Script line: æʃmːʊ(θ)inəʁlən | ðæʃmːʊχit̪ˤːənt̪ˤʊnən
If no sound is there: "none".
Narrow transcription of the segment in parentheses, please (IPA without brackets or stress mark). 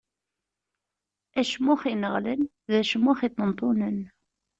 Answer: χ